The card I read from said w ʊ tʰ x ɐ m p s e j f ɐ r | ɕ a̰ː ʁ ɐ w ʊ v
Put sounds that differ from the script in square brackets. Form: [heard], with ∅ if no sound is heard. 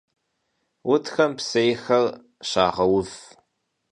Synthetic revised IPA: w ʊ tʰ x ɐ m p s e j [x] ɐ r | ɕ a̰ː ʁ ɐ w ʊ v